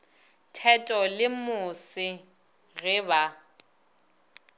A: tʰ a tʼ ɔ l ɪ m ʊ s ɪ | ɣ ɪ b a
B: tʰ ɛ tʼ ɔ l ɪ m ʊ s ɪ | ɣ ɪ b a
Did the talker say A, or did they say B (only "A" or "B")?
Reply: B